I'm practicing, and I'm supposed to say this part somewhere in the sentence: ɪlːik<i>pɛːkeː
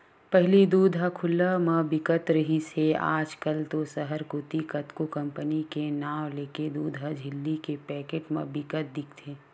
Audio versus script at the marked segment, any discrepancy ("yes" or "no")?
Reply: yes